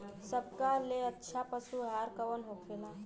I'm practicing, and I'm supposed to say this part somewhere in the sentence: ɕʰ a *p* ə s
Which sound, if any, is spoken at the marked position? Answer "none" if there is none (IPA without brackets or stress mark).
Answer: p